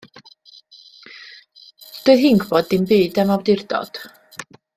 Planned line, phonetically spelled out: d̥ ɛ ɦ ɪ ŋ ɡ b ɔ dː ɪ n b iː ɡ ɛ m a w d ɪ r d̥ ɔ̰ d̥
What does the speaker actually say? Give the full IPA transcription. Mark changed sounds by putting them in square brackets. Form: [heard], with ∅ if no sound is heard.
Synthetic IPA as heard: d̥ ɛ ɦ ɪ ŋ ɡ b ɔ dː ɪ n b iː [d] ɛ m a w d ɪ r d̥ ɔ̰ d̥